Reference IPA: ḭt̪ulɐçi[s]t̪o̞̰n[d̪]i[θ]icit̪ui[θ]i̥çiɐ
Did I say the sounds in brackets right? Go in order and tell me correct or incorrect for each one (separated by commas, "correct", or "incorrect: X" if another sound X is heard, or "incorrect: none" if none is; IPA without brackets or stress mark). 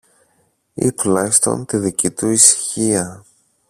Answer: correct, incorrect: t̪, incorrect: ð, incorrect: s